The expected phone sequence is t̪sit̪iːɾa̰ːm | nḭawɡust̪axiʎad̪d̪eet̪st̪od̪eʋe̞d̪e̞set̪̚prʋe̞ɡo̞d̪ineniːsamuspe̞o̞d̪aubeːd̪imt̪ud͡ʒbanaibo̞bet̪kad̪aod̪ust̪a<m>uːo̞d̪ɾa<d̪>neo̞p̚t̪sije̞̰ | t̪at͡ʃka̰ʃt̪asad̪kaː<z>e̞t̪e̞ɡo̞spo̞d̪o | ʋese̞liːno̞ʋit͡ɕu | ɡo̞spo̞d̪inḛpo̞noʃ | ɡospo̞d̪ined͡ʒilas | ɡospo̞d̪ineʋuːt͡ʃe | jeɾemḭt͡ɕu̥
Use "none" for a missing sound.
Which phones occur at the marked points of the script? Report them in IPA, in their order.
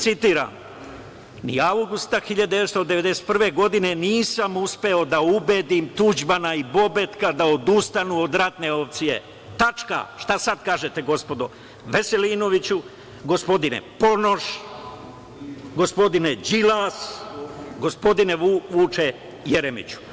n, t̪, ʒ

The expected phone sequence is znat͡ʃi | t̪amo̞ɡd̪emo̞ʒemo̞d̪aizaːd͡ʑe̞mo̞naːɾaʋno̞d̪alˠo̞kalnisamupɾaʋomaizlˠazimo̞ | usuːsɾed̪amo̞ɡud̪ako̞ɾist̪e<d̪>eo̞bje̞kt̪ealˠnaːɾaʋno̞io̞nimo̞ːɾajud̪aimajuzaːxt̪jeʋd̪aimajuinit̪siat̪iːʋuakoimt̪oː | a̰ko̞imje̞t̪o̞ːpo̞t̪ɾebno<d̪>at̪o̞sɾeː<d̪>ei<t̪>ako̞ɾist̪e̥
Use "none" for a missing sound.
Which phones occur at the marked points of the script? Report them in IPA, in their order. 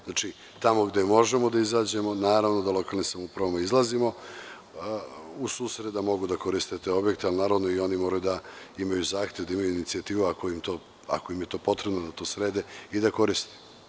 t̪, d̪, d̪, d̪

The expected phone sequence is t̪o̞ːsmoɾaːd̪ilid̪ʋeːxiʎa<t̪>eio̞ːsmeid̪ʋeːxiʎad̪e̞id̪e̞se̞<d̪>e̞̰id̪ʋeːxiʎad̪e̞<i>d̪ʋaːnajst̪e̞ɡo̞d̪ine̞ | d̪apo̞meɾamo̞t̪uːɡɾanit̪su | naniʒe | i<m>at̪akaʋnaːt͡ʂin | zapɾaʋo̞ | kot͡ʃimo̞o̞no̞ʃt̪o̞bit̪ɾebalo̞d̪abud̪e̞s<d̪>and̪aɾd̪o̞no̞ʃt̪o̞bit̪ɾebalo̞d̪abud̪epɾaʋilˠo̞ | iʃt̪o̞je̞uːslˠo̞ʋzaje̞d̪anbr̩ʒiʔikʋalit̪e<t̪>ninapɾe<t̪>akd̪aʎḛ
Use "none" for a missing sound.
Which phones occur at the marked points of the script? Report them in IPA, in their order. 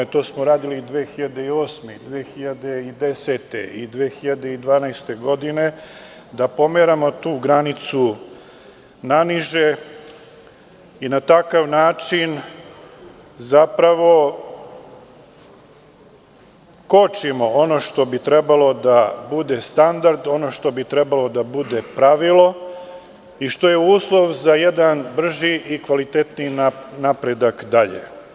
d̪, t̪, i, n, t̪, t̪, d̪

